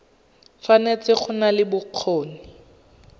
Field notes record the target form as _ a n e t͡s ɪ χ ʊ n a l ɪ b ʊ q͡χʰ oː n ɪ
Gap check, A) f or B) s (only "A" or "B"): A